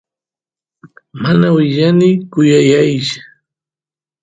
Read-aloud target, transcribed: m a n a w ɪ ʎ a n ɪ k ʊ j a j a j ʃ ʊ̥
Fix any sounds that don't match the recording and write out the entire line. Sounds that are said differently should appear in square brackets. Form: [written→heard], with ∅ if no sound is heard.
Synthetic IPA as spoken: m a n a w ɪ ʎ a n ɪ k ʊ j a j a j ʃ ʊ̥